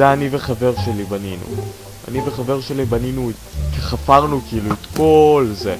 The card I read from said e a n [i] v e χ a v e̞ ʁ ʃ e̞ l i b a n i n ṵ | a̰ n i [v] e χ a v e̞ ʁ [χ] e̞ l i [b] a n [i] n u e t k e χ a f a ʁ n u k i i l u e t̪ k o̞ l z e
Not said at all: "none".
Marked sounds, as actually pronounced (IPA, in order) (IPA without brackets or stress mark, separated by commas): i, v, ʃ, b, i